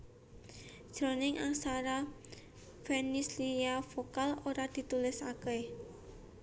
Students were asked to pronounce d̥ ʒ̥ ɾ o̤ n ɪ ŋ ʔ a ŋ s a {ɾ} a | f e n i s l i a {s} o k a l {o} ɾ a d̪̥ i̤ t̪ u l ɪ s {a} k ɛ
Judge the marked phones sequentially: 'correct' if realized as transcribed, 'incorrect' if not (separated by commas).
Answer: correct, incorrect, correct, correct